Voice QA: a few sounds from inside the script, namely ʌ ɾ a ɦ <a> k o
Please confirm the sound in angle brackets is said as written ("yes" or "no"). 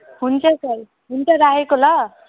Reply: no